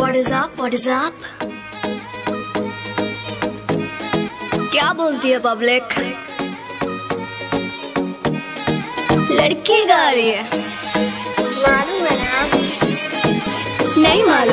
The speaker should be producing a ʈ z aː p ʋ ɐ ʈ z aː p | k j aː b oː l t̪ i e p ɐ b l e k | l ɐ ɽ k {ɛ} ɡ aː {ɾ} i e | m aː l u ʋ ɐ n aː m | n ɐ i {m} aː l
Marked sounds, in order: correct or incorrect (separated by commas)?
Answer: incorrect, correct, correct